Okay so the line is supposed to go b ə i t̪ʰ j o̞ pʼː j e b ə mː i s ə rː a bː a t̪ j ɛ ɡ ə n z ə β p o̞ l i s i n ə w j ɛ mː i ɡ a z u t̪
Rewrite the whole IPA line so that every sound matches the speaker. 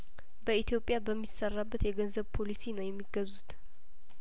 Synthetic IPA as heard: b ə i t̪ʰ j o̞ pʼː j a b ə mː i s ə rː a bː ə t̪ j ɛ ɡ ə n z ə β pʰ o̞ l i s i n ə w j ɛ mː i ɡ ə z u t̪